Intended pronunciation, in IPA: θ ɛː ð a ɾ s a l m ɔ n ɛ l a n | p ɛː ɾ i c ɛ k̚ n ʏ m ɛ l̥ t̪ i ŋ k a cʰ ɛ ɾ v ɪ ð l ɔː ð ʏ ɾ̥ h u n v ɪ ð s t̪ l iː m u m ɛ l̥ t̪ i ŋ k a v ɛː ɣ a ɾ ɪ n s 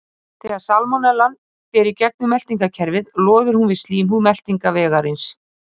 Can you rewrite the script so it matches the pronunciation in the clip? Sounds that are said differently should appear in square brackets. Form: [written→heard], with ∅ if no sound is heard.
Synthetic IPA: θ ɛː [ð→ɣ] a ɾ s a l m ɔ n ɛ l a n | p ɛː ɾ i c ɛ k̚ n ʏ m ɛ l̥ t̪ i ŋ k a cʰ ɛ ɾ v ɪ ð l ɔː ð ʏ ɾ̥ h u n v ɪ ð s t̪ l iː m u m ɛ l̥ t̪ i ŋ k a v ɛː ɣ a ɾ ɪ n s